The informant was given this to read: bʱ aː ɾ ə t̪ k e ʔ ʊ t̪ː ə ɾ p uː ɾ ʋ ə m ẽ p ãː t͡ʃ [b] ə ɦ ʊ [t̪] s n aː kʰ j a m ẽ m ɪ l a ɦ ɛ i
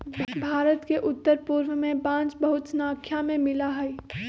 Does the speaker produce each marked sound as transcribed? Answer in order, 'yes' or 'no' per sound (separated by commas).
yes, yes